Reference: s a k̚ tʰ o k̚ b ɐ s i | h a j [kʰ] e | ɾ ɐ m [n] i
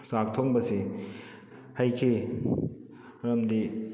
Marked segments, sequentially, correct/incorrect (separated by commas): correct, incorrect